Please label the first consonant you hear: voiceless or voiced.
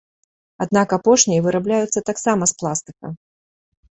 voiced